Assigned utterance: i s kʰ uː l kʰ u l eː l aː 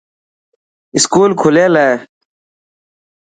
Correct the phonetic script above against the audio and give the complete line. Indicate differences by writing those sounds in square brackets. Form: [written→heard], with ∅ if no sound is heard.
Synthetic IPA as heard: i s [kʰ→k] uː l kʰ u l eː l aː